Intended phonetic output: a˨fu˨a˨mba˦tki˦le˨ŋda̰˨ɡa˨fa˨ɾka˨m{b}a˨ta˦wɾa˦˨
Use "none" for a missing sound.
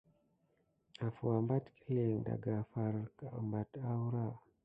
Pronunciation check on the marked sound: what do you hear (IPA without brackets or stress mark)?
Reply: b